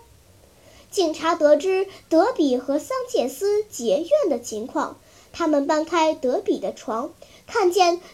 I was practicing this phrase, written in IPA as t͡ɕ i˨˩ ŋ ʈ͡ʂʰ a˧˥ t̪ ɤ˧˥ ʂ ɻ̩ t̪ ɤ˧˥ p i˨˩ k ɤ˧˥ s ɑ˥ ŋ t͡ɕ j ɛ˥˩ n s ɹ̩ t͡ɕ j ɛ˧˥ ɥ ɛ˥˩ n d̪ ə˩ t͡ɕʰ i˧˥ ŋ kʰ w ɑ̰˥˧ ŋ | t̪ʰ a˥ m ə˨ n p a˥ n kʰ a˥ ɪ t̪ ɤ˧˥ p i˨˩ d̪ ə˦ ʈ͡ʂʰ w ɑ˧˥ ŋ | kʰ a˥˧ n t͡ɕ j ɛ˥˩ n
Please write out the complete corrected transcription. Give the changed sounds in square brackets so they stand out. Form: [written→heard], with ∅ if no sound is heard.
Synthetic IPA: t͡ɕ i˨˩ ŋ ʈ͡ʂʰ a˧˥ t̪ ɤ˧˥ [ʂ→ʈ͡ʂ] ɻ̩ t̪ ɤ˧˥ p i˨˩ [k→x] ɤ˧˥ s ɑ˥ ŋ t͡ɕ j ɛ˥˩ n s ɹ̩ t͡ɕ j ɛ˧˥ ɥ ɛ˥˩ n d̪ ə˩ t͡ɕʰ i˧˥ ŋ kʰ w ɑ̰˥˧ ŋ | t̪ʰ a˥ m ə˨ n p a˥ n kʰ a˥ ɪ t̪ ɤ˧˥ p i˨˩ d̪ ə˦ ʈ͡ʂʰ w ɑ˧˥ ŋ | kʰ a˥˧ n t͡ɕ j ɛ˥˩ n